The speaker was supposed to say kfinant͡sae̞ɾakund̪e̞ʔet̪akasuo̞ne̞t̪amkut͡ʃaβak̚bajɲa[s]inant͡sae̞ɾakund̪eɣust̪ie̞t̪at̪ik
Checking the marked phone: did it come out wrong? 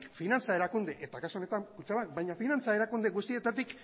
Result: yes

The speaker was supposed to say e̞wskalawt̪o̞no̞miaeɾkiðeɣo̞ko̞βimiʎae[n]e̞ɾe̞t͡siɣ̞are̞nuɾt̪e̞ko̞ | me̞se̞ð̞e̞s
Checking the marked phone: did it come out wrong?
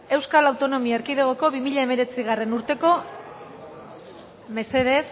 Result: yes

